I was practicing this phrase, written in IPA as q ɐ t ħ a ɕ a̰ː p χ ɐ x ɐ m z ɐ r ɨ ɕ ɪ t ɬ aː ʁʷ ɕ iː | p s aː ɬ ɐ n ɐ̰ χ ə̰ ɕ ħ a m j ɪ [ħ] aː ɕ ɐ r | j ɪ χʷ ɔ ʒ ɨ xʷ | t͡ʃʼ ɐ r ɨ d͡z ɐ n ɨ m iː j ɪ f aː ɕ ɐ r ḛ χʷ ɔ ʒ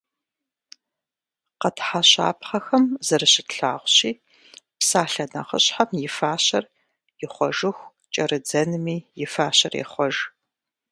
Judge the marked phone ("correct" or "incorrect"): incorrect